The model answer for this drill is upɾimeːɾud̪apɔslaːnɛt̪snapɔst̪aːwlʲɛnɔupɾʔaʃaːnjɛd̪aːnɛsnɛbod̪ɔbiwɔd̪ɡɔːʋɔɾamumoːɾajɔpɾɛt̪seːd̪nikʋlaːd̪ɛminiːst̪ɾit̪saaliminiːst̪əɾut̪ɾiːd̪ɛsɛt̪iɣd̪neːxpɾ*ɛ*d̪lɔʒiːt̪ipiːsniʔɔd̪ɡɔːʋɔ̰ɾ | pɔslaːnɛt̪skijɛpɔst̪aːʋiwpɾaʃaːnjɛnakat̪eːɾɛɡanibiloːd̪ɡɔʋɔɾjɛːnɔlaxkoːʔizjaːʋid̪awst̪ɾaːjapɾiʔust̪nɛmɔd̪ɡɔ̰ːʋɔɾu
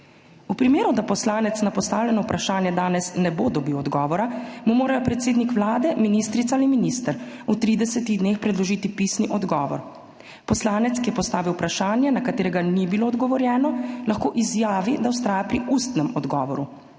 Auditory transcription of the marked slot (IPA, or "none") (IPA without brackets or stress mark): ɛ